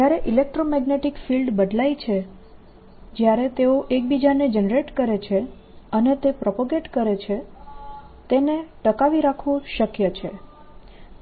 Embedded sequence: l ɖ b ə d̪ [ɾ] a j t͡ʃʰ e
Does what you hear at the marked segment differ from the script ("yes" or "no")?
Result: yes